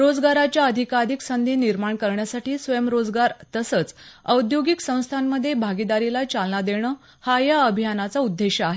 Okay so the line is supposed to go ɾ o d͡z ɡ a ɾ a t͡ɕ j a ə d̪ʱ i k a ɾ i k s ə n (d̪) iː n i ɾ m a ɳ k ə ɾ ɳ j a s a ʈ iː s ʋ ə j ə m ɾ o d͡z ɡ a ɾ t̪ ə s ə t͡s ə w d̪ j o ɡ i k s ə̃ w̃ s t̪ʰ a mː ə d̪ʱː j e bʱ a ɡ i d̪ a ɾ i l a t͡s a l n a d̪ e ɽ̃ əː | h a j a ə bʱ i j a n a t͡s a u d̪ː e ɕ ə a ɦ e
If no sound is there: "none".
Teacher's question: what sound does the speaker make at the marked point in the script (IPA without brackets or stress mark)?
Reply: d̪